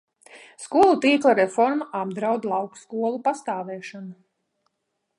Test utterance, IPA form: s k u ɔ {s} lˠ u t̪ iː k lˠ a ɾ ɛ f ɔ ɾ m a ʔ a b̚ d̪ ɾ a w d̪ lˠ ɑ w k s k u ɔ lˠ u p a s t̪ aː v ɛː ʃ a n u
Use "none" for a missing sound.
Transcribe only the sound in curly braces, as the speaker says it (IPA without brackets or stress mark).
none